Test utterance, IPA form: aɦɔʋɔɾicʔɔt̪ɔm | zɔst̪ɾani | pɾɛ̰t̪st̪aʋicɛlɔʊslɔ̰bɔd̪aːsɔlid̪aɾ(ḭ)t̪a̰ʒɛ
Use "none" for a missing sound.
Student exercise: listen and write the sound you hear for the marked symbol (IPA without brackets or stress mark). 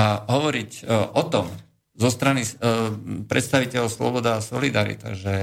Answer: ḭ